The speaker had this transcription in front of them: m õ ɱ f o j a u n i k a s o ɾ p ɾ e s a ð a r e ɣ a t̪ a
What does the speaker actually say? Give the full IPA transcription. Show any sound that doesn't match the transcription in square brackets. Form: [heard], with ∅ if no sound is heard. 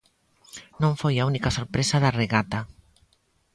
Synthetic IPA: [n] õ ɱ f o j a u n i k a s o ɾ p ɾ e s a ð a r e ɣ a t̪ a

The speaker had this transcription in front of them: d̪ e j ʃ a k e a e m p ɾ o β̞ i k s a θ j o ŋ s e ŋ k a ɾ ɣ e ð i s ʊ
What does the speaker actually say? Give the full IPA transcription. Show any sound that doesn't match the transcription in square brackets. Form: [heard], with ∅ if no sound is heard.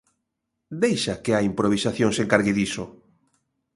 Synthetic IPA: d̪ e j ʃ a k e a [i] m p ɾ o β̞ i [∅] s a θ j o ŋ s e ŋ k a ɾ ɣ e ð i s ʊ

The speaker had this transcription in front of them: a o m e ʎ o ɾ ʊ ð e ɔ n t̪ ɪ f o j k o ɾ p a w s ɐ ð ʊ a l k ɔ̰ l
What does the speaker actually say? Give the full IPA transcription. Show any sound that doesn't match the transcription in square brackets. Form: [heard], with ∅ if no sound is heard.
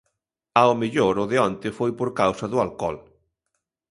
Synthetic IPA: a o m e ʎ o ɾ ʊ ð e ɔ n t̪ ɪ f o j [p] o ɾ [k] a w s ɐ ð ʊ a l k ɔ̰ l

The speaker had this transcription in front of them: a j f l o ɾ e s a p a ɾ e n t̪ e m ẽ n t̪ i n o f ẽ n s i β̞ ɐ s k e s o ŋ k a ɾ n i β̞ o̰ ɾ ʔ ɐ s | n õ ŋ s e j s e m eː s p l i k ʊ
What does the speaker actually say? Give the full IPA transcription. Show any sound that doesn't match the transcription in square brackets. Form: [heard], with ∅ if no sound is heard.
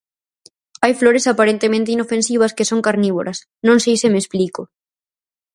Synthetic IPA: a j f l o ɾ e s a p a ɾ e n t̪ e m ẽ n t̪ i n o f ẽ n s i β̞ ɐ s k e s o ŋ k a ɾ n i β̞ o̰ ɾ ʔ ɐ s | n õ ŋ s e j s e m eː s p l i k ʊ

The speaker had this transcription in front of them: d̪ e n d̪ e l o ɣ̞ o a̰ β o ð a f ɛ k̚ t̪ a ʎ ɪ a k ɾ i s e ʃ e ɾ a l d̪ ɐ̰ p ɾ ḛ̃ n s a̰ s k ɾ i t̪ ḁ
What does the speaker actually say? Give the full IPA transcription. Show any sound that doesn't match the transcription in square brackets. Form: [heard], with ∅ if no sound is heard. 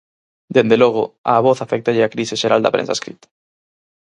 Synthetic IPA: d̪ e n d̪ e l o ɣ̞ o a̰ β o [θ] a f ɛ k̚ t̪ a ʎ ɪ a k ɾ i s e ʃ e ɾ a l d̪ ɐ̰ p ɾ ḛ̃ n s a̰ s k ɾ i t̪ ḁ

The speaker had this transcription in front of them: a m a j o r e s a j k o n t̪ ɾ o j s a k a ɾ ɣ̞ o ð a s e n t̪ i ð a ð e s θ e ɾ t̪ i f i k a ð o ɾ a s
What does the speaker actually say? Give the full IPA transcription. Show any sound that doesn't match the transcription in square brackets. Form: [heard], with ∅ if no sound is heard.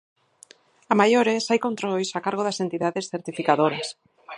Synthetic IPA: a m a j o [ɾ] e s a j k o n t̪ ɾ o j s a k a ɾ ɣ̞ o ð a s e n t̪ i ð a ð e s θ e ɾ t̪ i f i k a ð o ɾ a s

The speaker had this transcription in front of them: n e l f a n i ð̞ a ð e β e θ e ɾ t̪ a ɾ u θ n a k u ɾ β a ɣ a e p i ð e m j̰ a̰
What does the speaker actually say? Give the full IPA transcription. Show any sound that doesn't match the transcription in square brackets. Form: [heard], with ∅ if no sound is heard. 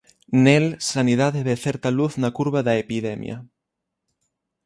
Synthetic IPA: n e l [s] a n i ð̞ a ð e β e θ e ɾ t̪ a [l] u θ n a k u ɾ β a [ð] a e p i ð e m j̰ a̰

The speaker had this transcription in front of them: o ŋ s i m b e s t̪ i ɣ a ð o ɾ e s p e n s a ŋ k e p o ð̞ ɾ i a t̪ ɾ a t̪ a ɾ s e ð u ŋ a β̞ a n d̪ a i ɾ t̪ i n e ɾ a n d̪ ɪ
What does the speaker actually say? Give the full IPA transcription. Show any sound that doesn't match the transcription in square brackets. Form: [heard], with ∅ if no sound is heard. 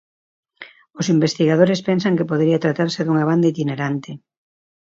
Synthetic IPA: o [∅] s i m b e s t̪ i ɣ a ð o ɾ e s p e n s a ŋ k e p o ð̞ ɾ i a t̪ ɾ a t̪ a ɾ s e ð u ŋ a β̞ a n d̪ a i [∅] t̪ i n e ɾ a n [t̪] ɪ

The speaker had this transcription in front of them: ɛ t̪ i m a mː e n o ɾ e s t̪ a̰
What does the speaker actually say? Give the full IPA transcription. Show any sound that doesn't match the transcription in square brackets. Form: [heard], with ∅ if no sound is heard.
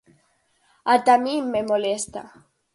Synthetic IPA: [a] t̪ [a] m [i] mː e [m] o [l] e s t̪ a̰

